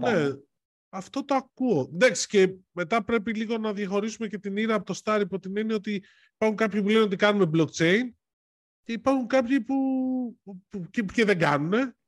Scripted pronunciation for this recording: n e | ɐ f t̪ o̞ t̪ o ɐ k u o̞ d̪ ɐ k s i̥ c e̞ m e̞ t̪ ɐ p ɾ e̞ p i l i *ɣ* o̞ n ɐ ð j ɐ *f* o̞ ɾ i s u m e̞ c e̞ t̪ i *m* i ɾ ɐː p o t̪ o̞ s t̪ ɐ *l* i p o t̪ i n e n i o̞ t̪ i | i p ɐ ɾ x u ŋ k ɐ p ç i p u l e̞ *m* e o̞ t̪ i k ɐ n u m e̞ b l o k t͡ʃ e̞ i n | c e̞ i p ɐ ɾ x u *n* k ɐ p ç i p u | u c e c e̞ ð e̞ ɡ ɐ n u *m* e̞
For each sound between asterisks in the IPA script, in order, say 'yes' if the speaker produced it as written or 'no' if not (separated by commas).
yes, no, no, no, no, no, no